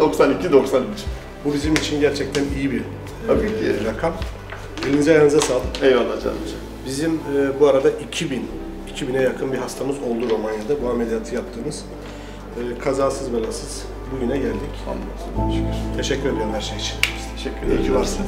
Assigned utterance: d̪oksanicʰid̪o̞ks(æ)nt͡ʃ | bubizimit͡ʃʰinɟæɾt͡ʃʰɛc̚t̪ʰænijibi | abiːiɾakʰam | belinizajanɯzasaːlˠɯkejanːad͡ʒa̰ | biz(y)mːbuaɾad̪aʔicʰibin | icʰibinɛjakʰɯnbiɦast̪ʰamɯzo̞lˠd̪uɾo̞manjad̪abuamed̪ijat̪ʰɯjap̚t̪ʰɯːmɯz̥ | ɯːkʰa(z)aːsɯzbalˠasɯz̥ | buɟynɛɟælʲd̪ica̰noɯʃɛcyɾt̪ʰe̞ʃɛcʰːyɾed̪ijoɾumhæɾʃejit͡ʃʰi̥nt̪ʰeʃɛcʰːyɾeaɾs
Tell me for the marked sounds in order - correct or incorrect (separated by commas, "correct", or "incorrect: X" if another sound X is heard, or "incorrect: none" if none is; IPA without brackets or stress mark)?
incorrect: a, incorrect: i, correct